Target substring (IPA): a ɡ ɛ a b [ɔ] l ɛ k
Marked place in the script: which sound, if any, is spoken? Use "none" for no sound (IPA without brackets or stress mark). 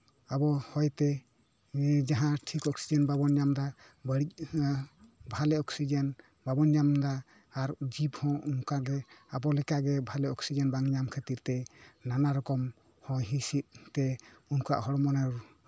ɔ